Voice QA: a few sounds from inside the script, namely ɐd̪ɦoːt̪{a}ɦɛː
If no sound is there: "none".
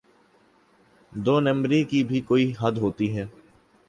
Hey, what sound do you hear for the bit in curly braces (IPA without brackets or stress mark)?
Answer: i